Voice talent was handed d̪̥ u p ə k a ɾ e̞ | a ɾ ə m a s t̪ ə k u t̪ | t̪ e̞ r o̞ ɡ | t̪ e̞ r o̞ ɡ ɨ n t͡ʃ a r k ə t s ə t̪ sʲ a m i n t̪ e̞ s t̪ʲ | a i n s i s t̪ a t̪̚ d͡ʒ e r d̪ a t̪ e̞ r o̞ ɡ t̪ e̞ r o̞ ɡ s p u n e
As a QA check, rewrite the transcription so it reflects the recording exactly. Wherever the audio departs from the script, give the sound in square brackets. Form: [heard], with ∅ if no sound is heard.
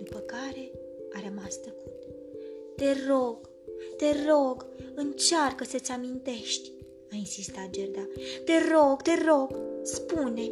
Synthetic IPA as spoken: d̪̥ u p ə k a ɾ e̞ | a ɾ ə m a s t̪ ə k u t̪ | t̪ e̞ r o̞ ɡ | t̪ e̞ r o̞ ɡ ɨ n t͡ʃ a r k ə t s ə t̪ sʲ a m i n t̪ e̞ [ʃ] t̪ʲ | a i n s i s t̪ a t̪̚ d͡ʒ e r d̪ a t̪ e̞ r o̞ ɡ t̪ e̞ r o̞ ɡ s p u n e